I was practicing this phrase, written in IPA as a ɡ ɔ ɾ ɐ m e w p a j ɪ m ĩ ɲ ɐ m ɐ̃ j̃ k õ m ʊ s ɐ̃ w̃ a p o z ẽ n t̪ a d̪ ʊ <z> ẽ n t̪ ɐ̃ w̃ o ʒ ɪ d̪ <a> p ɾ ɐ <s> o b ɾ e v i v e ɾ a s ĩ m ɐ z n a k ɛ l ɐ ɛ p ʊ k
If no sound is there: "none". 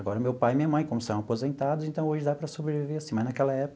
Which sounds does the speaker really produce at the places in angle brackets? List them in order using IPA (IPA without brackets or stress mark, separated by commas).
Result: z, a, s